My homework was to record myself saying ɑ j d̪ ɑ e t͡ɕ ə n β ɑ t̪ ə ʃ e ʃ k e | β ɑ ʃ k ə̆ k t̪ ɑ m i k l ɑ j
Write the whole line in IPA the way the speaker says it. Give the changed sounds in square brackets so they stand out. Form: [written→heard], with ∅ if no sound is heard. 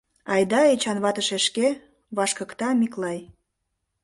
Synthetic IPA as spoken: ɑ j d̪ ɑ e t͡ɕ [ə→ɑ] n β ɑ t̪ ə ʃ e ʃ k e | β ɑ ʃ k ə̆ k t̪ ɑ m i k l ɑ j